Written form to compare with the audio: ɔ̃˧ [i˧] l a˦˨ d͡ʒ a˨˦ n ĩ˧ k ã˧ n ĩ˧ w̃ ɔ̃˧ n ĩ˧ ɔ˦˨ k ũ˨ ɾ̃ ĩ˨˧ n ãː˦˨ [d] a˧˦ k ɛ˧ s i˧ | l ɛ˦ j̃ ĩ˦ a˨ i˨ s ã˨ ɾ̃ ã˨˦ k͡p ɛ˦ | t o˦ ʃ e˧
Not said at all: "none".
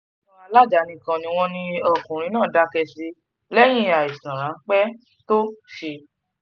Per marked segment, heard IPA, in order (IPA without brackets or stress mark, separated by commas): a˧, d